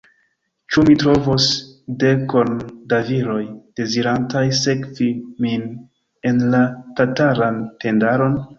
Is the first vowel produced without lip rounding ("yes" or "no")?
no